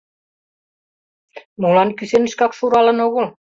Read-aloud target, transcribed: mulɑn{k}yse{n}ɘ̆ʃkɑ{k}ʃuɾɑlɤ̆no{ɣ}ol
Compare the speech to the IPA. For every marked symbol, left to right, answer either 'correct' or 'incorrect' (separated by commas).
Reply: correct, correct, correct, correct